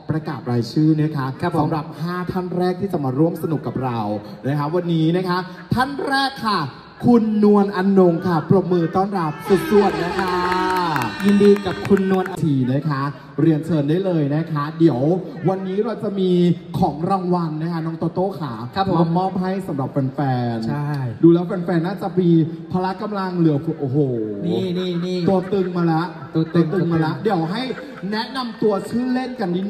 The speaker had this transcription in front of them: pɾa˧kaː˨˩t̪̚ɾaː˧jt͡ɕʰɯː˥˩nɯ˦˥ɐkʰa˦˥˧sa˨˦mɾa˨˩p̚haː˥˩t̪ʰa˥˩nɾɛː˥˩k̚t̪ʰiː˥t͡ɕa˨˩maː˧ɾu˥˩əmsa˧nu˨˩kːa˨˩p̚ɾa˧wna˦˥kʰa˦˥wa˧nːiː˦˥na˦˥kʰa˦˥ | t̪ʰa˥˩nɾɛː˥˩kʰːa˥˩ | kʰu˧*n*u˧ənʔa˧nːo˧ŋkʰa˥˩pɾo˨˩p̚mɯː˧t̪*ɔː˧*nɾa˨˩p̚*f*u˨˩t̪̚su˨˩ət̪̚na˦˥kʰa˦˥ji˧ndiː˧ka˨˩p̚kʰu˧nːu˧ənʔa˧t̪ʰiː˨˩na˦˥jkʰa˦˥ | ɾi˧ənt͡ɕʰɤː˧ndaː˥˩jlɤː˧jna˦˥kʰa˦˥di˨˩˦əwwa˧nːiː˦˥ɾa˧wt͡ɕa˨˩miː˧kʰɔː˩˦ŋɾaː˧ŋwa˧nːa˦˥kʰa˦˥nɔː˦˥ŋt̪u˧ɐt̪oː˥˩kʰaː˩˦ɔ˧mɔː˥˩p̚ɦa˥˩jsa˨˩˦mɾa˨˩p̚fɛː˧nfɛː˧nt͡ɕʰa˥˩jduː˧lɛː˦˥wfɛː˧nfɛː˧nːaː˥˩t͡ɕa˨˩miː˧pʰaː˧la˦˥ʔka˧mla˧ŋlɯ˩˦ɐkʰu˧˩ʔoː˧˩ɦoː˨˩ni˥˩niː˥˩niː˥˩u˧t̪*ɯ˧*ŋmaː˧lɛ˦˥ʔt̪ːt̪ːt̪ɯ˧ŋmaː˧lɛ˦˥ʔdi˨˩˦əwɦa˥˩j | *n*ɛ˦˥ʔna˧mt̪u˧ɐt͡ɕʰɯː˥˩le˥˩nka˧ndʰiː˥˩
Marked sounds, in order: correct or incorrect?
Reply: incorrect, incorrect, incorrect, correct, correct

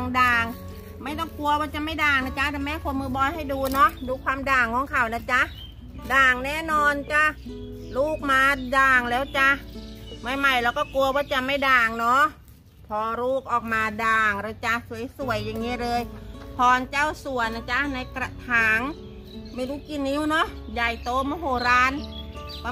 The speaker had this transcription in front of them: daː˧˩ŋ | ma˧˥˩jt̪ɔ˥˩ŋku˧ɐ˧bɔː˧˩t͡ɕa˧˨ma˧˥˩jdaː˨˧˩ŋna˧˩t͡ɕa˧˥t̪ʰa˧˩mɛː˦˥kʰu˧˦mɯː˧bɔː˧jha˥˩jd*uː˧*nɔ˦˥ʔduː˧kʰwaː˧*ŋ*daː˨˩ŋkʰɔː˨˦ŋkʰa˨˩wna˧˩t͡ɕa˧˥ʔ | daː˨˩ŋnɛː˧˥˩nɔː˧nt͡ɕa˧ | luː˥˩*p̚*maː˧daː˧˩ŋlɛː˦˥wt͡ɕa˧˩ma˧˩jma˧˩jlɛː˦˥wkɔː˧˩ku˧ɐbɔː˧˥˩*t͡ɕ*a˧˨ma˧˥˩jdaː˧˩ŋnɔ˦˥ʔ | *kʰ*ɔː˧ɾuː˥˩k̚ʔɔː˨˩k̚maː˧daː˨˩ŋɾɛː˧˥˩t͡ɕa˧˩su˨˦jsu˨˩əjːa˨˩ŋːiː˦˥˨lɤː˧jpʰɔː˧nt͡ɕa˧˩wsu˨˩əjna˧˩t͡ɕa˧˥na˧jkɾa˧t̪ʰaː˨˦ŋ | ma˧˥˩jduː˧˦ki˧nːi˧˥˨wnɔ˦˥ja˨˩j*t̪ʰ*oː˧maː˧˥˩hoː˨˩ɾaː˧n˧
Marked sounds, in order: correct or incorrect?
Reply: correct, incorrect, incorrect, correct, incorrect, incorrect

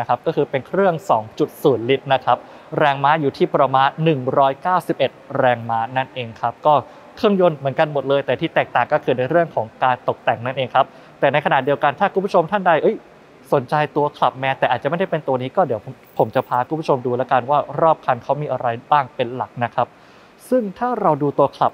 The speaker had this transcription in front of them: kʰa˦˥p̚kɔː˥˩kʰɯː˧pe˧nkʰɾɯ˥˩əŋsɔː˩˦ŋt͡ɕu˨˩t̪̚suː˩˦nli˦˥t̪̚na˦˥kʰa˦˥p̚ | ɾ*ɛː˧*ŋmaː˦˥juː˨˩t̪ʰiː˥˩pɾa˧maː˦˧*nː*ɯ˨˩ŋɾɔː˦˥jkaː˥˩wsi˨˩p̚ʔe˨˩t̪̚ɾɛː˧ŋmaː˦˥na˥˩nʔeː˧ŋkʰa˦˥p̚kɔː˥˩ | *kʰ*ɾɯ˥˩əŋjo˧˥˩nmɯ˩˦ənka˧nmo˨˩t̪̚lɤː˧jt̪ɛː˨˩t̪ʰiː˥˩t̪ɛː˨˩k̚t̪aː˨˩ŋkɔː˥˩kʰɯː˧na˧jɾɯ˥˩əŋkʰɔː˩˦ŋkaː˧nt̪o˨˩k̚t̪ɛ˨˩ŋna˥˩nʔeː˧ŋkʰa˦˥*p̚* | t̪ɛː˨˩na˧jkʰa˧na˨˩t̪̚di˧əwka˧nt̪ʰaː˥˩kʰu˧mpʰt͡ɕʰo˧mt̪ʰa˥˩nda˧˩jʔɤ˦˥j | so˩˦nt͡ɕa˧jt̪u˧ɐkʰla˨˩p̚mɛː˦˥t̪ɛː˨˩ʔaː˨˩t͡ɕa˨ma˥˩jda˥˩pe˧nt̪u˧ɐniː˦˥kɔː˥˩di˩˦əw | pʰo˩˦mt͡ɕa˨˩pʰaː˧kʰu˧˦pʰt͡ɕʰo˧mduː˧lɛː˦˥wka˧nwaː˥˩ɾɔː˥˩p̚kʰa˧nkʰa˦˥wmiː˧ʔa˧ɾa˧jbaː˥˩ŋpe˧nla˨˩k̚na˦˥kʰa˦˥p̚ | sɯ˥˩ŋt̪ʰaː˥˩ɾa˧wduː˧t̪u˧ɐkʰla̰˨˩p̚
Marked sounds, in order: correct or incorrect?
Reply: correct, correct, correct, correct

